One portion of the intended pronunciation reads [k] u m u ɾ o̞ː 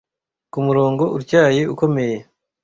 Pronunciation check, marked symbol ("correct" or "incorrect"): correct